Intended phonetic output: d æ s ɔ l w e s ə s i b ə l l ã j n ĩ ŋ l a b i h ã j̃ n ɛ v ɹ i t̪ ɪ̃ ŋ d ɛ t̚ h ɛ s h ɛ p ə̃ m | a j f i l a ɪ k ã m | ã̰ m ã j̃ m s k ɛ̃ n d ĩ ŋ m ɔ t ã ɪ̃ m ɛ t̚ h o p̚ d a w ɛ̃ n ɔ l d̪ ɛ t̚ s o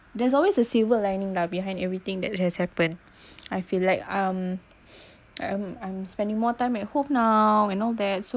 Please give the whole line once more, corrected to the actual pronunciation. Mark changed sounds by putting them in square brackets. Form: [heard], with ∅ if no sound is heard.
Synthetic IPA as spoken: d [ɛ] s ɔ l w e s ə s i [v] ə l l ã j n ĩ ŋ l a b i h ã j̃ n ɛ v ɹ i t̪ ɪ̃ ŋ d ɛ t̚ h ɛ s h ɛ p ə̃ [n] | a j f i l a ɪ k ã m | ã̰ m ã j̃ m s [p] ɛ̃ n d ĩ ŋ m ɔ t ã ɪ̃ m ɛ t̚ h o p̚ [n] a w ɛ̃ n ɔ l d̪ ɛ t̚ s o